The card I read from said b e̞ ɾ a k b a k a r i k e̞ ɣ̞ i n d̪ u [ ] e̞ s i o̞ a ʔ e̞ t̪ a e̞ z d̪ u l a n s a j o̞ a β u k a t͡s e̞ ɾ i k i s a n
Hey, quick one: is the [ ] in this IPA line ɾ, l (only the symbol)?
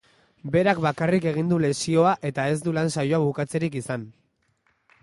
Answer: l